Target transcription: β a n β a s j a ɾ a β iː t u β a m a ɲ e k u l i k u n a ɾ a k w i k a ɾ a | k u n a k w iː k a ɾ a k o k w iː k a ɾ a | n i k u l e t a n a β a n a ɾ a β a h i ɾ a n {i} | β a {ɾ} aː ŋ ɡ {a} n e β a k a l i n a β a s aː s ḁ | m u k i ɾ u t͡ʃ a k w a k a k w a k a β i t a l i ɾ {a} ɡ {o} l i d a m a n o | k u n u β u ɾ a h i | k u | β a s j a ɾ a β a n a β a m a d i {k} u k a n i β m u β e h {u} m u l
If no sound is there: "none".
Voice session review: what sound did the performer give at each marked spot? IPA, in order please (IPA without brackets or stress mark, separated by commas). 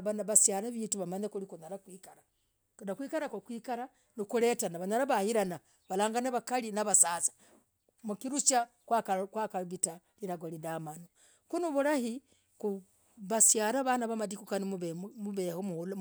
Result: a, l, a, a, o, k, o